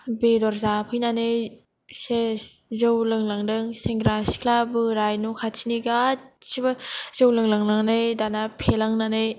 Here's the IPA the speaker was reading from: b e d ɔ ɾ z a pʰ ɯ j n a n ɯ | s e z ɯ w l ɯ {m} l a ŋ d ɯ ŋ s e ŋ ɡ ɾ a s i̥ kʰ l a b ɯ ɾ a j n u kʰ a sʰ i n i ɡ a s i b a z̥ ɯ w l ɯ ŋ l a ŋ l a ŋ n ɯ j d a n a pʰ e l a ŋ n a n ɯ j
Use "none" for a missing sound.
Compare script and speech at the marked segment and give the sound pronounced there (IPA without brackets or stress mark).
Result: ŋ